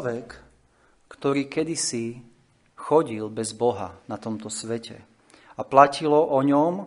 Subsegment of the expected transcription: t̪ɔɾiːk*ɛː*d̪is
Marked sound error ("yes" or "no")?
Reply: yes